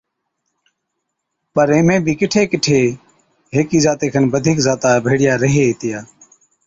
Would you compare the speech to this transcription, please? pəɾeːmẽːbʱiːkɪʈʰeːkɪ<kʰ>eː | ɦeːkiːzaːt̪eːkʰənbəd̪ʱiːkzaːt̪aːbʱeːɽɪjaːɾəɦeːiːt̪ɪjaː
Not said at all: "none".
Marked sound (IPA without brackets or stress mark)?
ʈʰ